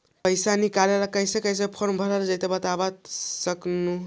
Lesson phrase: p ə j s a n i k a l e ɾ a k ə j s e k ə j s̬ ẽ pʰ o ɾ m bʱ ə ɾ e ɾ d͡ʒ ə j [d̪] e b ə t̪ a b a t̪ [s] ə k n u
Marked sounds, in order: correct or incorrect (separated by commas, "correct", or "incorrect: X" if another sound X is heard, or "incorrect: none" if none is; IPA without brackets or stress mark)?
incorrect: t̪, correct